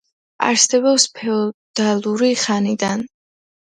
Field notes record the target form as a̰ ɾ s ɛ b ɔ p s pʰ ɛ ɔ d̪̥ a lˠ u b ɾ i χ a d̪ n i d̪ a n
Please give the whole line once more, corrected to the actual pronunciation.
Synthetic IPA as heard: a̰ ɾ s ɛ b ɔ p s pʰ ɛ ɔ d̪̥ a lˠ u ɾ i χ a n i d̪ a n